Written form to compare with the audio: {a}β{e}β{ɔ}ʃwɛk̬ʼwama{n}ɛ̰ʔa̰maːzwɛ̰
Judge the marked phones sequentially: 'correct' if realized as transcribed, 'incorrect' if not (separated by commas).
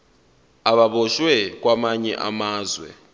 correct, incorrect, correct, incorrect